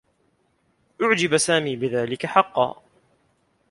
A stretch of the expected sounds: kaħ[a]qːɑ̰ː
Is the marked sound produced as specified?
no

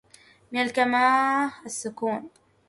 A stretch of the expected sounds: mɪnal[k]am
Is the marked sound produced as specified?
yes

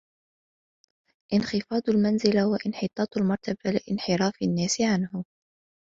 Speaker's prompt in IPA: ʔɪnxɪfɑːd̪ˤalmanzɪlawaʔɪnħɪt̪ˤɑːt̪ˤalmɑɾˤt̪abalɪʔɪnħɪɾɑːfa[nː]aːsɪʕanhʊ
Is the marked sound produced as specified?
yes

